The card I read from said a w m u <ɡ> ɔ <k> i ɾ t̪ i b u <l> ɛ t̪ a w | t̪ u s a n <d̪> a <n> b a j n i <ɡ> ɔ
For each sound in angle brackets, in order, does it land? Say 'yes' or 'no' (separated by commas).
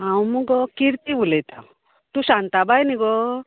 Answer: yes, yes, yes, no, no, yes